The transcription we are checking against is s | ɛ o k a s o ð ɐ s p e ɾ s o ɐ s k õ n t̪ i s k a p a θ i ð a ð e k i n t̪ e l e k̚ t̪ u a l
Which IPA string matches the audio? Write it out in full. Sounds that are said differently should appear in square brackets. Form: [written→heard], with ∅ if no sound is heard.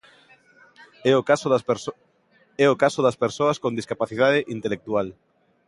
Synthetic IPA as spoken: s | ɛ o k a s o ð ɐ s p e ɾ s o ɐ s k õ n [t̪→d̪] i s k a p a θ i ð a ð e [k→ʔ] i n t̪ e l e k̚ t̪ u a l

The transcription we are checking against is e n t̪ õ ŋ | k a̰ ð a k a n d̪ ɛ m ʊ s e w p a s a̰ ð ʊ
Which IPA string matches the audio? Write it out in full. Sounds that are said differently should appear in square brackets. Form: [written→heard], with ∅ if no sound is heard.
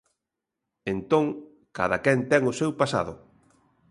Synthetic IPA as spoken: e n t̪ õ ŋ | k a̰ ð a k [a→ɛ] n [d̪→t̪] ɛ [m→ŋ] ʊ s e w p a s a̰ ð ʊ

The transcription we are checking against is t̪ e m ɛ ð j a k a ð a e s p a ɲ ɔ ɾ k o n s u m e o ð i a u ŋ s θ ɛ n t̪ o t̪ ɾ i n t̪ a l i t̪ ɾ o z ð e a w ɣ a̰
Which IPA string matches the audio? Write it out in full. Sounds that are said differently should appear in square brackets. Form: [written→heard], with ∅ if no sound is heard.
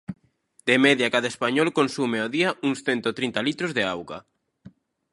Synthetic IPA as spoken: [t̪→d̪] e m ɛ ð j a k a ð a e s p a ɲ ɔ [ɾ→l] k o n s u m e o ð i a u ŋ s θ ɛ n t̪ o t̪ ɾ i n t̪ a l i t̪ ɾ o z ð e a w ɣ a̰

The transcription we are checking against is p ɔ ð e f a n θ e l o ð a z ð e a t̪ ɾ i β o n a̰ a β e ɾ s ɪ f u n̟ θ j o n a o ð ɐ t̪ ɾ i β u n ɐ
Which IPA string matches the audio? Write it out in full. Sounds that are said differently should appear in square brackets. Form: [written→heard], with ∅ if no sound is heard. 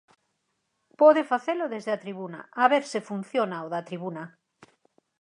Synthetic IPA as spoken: p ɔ ð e f a [n→∅] θ e l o ð [a→e] z ð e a t̪ ɾ i β [o→u] n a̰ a β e ɾ s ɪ f u n̟ θ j o n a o ð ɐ t̪ ɾ i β u n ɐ

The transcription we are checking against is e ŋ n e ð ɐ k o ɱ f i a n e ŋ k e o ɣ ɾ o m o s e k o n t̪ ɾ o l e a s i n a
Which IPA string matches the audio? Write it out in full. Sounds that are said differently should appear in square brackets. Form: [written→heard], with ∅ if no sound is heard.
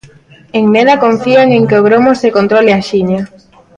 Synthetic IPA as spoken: e ŋ n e ð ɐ k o ɱ f i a [n→ŋ] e ŋ k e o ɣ ɾ o m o s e k o n t̪ ɾ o l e a [s→ʃ] i [n→ɲ] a

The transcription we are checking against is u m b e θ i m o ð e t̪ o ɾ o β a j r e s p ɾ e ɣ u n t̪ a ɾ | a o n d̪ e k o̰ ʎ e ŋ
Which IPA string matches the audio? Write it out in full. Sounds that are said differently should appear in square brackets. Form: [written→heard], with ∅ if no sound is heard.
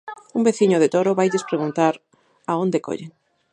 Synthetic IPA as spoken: u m b e θ i [m→ɲ] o ð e t̪ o ɾ o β a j [r→ʎ] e s p ɾ e ɣ u n t̪ a ɾ | a o n d̪ e k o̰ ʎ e ŋ

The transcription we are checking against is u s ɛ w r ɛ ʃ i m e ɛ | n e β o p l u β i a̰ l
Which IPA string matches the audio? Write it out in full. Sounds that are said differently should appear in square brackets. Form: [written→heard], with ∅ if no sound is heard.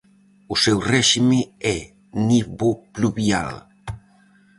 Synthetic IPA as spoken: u s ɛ w r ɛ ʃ i m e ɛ | n [e→i] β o p l u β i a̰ l

